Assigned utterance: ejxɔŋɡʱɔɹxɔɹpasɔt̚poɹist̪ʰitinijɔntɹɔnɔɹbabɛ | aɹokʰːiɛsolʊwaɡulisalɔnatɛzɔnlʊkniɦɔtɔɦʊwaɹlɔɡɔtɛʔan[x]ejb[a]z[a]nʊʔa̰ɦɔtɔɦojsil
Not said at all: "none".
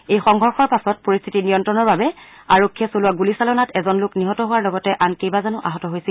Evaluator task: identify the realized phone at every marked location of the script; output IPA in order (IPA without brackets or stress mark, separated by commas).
k, a, a